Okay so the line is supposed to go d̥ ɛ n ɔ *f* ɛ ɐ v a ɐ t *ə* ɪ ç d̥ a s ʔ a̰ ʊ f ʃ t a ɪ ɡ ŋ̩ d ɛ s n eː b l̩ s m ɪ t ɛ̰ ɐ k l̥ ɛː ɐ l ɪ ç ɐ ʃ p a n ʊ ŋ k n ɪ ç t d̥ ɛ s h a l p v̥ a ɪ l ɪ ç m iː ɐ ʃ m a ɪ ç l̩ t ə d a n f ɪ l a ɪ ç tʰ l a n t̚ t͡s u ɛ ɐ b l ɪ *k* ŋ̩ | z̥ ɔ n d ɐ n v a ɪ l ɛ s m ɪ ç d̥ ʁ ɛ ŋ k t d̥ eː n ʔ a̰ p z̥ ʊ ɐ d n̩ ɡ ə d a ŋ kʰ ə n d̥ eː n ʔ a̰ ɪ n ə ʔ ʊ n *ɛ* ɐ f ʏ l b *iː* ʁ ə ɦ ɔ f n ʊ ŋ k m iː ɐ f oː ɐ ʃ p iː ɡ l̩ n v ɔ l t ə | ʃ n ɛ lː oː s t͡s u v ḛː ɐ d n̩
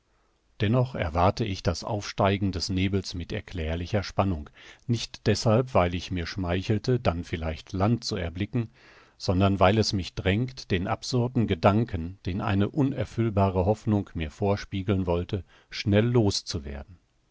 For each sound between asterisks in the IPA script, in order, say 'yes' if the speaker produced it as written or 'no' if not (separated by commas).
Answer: no, yes, yes, yes, no